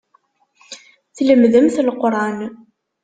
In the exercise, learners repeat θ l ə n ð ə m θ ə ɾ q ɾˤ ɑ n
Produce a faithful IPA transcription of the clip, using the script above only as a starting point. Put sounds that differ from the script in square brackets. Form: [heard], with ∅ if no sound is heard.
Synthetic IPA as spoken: θ l ə [m] ð ə m θ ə [l] q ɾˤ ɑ n